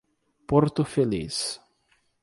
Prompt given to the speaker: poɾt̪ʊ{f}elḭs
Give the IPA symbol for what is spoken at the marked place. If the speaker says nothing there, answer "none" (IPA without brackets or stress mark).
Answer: f